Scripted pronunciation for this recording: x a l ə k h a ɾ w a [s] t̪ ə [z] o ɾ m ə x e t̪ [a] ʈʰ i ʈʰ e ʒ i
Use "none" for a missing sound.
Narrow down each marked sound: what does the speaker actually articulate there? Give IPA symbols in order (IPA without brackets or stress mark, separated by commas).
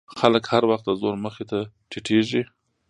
x, z, a